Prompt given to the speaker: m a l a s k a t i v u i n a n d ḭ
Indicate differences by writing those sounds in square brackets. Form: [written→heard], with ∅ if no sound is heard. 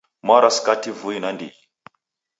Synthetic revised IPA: m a [l→ɾ] a s k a t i v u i n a n d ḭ